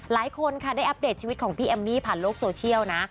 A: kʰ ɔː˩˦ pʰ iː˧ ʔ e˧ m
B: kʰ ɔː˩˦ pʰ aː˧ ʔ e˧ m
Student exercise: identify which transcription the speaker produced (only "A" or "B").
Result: A